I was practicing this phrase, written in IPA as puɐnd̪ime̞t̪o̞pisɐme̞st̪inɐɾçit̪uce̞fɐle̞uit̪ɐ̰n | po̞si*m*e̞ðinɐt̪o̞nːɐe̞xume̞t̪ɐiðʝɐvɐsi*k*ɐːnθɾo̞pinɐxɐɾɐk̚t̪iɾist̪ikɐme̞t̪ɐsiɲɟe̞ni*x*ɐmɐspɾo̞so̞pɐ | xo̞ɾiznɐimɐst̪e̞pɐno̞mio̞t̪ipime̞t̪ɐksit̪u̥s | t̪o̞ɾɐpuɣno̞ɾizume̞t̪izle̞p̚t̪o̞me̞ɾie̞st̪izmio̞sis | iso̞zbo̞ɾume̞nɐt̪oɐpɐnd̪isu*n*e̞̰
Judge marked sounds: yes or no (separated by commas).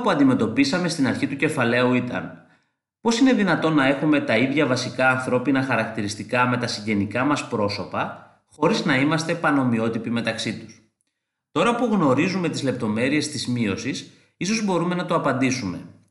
no, yes, no, no